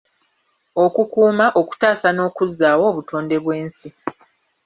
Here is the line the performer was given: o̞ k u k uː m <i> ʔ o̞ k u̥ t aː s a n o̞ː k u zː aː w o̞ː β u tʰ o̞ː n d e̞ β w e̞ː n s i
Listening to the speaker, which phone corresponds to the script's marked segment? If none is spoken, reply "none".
a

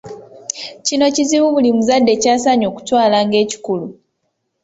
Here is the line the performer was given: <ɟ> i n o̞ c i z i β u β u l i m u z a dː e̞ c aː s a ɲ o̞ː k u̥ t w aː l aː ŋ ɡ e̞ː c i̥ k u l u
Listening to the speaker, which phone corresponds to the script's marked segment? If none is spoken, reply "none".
c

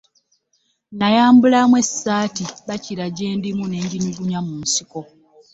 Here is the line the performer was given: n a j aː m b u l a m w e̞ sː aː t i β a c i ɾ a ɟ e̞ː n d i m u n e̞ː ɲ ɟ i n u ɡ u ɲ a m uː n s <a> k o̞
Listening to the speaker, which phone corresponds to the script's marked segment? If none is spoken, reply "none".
i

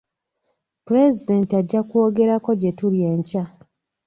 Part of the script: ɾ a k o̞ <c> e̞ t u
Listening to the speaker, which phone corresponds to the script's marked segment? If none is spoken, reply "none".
ɟ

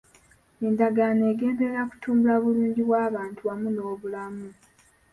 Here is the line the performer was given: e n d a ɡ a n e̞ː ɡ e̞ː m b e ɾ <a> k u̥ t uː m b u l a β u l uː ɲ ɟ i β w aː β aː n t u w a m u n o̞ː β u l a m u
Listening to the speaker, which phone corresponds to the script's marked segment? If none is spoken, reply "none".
a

